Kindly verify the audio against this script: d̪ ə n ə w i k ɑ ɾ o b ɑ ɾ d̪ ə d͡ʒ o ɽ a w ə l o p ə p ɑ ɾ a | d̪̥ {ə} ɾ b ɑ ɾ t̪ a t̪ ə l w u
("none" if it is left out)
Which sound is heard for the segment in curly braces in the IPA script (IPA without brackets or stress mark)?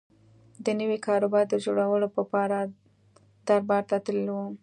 a